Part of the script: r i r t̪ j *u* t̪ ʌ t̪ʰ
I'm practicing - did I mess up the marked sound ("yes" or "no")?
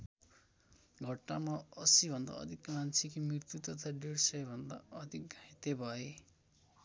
no